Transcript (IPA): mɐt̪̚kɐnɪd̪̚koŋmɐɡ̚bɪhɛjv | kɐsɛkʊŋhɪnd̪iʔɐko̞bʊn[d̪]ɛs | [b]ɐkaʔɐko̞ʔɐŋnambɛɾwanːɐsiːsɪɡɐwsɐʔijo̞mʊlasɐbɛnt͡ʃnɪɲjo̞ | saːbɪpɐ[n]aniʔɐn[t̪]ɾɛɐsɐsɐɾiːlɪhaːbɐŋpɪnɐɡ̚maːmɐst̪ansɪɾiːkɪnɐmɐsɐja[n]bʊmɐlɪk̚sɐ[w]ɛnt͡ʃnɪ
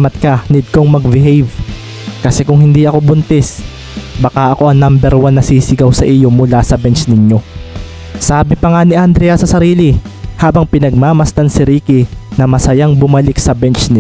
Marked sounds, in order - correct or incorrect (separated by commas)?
incorrect, correct, incorrect, incorrect, incorrect, incorrect